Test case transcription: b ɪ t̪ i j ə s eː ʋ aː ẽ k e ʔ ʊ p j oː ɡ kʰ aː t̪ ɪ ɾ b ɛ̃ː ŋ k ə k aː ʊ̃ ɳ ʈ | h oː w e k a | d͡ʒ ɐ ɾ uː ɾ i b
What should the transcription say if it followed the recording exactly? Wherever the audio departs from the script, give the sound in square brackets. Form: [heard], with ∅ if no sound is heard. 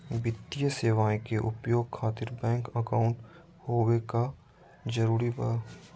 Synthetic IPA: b ɪ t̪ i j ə s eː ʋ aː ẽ k e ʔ ʊ p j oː ɡ kʰ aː t̪ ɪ ɾ b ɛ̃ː ŋ k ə k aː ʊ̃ ɳ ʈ | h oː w e k a | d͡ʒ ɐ ɾ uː ɾ i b